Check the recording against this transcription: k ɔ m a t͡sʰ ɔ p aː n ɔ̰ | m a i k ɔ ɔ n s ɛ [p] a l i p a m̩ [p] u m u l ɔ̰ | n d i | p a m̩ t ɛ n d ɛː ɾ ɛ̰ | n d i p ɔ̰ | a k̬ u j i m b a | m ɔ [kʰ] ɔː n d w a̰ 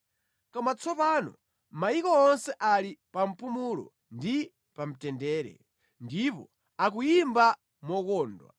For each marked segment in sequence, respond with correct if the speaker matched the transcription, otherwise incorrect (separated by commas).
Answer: incorrect, correct, incorrect